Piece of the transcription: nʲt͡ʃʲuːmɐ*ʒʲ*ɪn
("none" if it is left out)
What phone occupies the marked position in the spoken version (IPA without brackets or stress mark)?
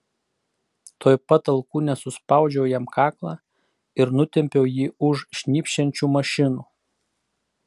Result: ʃʲ